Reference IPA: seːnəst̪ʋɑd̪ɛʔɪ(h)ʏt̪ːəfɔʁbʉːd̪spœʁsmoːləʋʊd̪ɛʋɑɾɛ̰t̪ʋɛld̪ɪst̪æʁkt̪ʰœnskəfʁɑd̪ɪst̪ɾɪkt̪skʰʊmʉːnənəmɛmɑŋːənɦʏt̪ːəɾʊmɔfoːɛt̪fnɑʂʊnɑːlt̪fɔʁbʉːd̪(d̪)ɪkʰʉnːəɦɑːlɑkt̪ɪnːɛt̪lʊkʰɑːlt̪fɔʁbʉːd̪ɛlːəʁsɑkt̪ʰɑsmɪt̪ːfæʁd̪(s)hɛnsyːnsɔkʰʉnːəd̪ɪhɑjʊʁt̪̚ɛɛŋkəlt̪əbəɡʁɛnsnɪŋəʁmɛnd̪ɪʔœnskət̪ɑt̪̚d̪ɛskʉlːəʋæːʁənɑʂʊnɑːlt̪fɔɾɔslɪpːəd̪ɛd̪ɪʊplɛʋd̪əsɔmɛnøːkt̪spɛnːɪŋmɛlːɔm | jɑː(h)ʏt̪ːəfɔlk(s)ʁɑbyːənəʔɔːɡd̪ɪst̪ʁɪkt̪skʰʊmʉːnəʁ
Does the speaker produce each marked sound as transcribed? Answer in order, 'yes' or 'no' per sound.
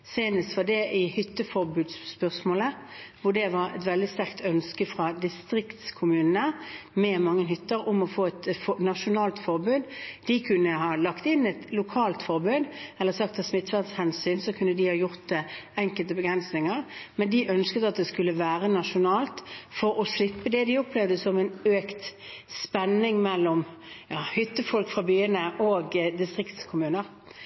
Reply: yes, yes, yes, yes, no

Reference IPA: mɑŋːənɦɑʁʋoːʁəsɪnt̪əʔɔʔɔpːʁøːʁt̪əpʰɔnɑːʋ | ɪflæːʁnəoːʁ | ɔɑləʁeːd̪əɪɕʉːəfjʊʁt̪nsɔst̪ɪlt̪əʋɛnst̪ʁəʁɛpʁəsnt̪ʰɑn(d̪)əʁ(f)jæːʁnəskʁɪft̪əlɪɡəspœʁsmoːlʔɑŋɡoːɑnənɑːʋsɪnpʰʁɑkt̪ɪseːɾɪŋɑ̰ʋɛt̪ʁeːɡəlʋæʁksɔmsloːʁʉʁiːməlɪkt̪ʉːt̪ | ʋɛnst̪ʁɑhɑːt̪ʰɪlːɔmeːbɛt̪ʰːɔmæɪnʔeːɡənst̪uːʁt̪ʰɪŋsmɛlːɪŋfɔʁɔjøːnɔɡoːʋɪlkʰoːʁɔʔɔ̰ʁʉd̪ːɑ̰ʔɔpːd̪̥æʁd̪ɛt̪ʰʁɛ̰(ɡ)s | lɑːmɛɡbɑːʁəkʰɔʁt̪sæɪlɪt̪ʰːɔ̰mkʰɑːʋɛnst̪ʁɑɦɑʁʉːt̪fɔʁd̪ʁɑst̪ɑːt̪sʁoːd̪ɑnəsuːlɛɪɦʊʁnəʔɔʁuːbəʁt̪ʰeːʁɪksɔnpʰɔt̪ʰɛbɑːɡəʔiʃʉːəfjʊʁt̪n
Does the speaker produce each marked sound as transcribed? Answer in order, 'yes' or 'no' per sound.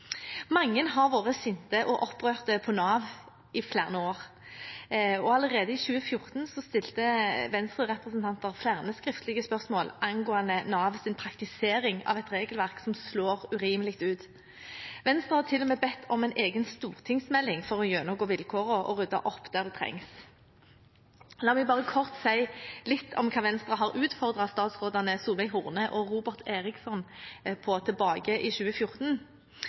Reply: no, yes, no

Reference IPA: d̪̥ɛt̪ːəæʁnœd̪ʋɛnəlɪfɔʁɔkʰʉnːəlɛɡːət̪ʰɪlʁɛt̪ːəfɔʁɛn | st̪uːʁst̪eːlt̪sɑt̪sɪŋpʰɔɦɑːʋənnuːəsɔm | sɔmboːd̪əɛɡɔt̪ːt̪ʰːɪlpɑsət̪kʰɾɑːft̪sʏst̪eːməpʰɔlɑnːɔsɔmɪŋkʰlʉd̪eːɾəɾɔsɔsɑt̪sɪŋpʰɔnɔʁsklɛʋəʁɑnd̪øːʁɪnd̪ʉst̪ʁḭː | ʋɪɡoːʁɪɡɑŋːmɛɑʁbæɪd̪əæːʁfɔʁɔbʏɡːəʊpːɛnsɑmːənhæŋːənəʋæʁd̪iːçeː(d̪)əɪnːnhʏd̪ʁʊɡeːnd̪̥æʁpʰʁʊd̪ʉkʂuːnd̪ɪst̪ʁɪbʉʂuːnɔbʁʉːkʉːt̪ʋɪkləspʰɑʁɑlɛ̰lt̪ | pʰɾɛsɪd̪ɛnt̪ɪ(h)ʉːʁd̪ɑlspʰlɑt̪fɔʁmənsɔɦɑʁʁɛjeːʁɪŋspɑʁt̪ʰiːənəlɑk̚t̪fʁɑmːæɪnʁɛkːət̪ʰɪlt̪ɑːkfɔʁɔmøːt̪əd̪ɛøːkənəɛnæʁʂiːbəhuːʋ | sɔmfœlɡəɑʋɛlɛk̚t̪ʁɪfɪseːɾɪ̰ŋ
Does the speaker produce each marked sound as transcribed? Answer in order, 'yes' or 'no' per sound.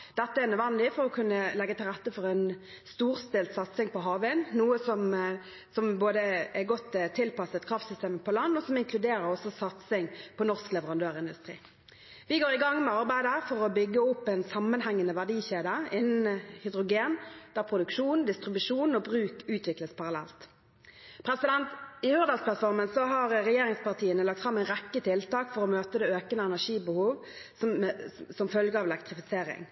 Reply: yes, yes

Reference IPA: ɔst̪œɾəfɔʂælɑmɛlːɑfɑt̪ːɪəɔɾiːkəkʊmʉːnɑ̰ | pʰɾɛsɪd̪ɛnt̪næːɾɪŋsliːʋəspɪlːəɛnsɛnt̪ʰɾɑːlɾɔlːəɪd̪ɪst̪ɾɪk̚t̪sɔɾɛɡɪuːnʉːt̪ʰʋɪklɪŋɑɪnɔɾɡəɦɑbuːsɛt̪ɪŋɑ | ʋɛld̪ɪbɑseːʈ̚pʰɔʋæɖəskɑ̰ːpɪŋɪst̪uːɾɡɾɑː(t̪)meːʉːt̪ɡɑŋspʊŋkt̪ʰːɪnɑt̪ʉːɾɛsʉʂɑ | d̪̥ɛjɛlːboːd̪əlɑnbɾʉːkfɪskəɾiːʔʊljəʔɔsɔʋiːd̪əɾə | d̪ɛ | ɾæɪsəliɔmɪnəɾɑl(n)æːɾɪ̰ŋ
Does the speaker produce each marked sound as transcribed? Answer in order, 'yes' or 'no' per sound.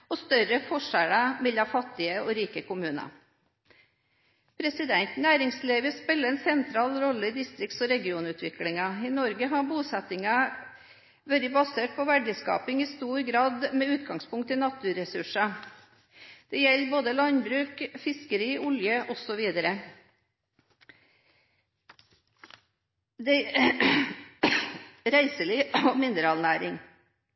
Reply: no, yes

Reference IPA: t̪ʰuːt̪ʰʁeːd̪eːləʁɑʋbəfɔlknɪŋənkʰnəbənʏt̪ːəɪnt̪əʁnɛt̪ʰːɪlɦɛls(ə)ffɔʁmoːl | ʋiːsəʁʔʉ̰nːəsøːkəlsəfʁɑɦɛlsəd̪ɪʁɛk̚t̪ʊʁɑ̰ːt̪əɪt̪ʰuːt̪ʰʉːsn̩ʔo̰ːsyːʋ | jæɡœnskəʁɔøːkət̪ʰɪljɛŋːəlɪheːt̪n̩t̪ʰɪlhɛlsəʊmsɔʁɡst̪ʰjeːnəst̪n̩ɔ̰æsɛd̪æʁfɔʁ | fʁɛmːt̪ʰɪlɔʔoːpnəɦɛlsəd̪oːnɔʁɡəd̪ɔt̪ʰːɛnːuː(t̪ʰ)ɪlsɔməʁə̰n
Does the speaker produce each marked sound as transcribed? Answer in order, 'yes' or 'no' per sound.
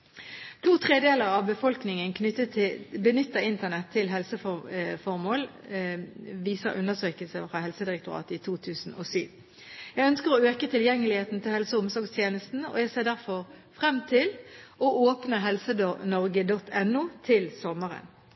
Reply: yes, yes

